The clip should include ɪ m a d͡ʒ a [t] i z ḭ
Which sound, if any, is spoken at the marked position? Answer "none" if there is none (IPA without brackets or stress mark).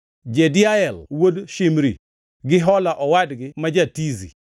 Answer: t